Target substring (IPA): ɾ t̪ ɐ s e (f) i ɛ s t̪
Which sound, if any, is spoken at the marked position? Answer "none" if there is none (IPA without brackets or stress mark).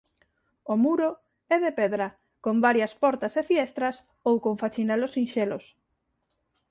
f